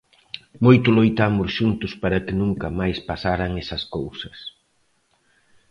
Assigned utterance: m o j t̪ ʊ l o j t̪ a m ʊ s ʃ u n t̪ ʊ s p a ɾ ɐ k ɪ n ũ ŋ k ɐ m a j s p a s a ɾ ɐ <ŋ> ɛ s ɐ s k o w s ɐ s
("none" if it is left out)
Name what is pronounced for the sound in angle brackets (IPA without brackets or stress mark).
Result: ŋ